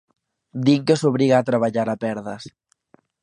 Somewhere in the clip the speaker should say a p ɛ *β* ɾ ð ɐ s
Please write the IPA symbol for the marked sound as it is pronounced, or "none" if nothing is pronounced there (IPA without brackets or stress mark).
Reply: none